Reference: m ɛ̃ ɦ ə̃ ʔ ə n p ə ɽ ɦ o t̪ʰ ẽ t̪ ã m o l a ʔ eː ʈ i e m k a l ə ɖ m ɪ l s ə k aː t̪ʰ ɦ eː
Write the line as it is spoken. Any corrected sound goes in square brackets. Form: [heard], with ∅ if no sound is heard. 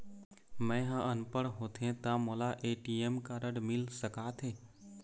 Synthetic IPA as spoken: m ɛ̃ ɦ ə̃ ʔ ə n p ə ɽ ɦ o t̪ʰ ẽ t̪ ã m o l a ʔ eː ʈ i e m k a [ɾ] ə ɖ m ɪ l s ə k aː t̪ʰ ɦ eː